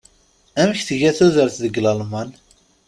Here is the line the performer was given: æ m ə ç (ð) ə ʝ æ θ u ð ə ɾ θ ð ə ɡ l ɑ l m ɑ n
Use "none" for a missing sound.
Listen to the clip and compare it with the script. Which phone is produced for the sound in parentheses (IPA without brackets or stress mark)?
θ